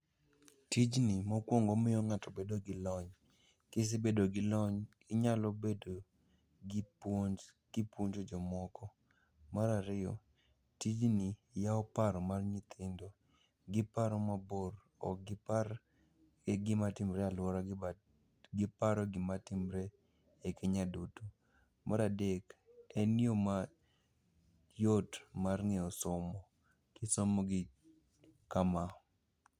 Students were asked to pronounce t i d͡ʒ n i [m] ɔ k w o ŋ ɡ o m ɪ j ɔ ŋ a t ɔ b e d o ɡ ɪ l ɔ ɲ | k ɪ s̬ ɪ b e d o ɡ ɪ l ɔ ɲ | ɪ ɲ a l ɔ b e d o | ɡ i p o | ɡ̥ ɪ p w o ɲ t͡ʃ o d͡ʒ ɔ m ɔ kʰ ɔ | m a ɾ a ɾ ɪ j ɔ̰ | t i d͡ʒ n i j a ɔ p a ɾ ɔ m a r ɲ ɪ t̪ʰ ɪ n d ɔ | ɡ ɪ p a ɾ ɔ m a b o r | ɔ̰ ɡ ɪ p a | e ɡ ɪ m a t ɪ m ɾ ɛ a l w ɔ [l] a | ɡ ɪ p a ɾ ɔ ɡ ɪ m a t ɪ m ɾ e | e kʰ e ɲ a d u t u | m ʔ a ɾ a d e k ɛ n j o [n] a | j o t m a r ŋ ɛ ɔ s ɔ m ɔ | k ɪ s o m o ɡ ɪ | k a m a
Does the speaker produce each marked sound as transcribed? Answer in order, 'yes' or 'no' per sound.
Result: yes, no, no

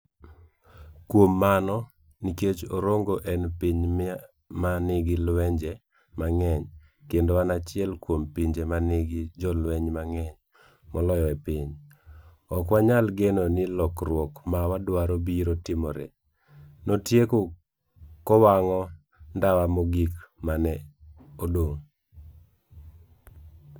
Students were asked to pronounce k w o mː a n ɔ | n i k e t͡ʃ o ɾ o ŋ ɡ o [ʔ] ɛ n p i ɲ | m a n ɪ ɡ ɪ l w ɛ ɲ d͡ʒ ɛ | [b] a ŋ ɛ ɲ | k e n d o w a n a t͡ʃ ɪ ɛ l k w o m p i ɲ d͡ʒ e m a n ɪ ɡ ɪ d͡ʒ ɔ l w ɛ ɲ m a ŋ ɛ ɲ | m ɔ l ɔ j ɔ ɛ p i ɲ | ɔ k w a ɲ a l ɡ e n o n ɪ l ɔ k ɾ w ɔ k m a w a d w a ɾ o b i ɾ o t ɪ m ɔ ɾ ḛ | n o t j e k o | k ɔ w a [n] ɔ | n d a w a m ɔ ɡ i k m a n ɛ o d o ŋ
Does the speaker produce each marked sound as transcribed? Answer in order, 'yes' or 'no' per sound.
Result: yes, no, no

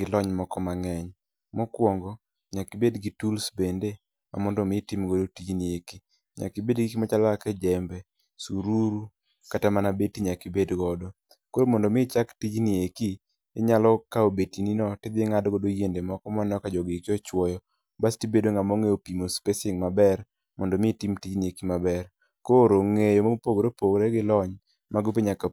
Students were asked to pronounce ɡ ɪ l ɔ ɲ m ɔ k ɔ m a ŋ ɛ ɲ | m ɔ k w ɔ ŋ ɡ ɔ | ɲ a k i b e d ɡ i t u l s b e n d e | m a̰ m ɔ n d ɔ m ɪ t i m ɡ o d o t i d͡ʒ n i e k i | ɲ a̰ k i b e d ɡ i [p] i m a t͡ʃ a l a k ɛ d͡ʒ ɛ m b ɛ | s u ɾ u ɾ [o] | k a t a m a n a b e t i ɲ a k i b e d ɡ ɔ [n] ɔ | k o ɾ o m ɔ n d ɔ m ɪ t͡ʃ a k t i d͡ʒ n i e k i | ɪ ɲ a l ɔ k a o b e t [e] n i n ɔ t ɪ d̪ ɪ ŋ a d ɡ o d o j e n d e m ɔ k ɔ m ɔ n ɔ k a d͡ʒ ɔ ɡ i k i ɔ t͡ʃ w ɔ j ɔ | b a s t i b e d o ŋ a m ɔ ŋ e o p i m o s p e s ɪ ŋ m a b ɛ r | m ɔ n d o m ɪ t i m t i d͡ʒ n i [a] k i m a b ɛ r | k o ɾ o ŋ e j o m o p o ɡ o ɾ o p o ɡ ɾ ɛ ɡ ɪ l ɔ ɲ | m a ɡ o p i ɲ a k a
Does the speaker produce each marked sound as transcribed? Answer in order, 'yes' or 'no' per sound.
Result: no, no, no, no, no

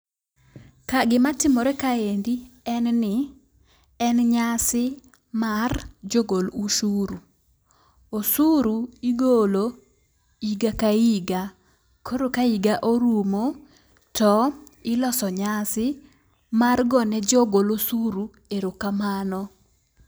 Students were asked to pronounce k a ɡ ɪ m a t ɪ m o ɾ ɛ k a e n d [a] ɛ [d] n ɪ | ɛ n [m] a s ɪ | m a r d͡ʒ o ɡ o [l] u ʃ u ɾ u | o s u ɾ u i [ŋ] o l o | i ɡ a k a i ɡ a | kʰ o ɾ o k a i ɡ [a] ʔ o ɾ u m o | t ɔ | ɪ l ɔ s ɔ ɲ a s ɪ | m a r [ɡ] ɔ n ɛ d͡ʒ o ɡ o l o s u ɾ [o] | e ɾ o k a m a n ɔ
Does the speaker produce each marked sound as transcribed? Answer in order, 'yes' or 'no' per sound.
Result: no, no, no, yes, no, yes, yes, no

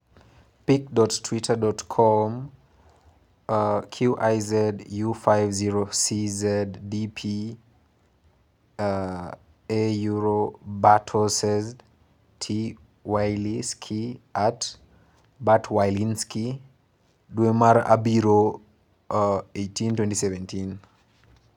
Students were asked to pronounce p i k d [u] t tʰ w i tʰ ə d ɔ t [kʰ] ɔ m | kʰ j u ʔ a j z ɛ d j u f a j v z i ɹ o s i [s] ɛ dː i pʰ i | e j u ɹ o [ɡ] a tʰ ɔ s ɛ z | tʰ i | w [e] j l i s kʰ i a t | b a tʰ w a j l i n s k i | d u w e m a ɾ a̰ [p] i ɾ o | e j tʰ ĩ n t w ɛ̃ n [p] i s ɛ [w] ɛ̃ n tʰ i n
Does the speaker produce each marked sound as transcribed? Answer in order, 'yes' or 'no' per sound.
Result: no, yes, no, no, no, no, no, no

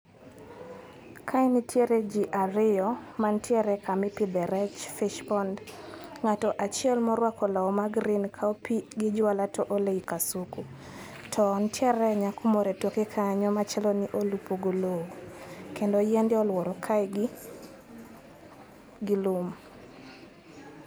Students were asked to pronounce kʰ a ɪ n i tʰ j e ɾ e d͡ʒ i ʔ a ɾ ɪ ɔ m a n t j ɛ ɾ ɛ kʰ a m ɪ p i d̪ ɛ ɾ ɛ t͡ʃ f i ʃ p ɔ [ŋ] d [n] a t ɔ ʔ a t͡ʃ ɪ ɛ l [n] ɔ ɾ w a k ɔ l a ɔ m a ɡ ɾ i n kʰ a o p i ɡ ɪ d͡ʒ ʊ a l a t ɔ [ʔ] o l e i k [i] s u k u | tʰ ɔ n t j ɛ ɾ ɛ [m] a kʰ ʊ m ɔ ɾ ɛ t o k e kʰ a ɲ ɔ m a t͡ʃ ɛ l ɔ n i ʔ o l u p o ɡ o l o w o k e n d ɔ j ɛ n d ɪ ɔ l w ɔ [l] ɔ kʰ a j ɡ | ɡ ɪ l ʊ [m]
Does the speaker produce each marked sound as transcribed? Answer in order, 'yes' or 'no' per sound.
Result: no, no, no, yes, no, no, no, yes

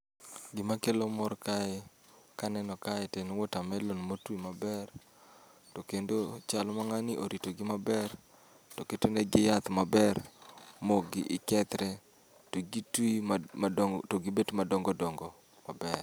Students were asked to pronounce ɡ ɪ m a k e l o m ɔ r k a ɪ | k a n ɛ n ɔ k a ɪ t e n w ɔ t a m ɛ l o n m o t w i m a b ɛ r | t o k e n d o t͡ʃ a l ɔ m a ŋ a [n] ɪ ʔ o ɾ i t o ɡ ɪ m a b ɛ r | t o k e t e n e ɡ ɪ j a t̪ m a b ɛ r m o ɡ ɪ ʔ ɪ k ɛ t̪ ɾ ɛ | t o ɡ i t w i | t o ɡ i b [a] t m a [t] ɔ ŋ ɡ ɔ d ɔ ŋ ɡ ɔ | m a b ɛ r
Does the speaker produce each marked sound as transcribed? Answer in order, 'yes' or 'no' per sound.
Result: yes, no, no

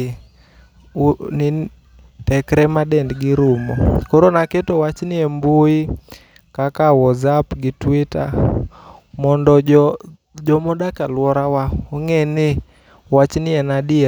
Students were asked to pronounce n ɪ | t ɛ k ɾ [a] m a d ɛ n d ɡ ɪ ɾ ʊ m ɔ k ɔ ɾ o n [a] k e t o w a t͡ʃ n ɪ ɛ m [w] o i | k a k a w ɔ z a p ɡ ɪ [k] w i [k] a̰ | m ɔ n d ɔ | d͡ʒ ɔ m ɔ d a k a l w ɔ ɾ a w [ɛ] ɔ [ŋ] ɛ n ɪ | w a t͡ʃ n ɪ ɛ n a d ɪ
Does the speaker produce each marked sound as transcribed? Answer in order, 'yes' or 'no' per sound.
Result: no, yes, no, no, no, no, yes

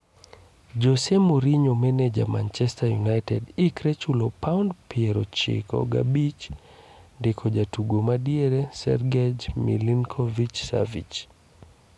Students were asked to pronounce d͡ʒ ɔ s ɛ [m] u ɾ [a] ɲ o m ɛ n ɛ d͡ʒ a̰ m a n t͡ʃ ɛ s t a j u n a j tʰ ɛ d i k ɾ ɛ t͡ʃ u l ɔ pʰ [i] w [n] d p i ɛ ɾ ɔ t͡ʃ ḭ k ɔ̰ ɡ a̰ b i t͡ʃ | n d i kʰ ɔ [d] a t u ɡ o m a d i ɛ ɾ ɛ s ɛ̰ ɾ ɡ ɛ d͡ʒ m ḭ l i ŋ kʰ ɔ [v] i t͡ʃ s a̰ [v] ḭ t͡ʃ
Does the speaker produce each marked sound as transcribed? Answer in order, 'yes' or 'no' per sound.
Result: yes, no, no, yes, no, yes, yes

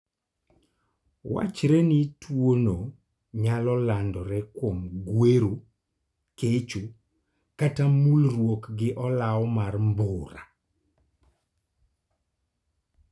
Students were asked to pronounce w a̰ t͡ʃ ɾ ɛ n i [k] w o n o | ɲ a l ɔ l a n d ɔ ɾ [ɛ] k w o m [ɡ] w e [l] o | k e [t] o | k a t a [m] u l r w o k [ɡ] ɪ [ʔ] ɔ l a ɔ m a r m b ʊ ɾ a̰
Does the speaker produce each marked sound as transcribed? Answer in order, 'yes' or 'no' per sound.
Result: no, yes, yes, no, no, yes, yes, yes

